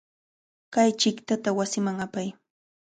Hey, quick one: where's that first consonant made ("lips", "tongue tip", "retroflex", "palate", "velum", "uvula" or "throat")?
velum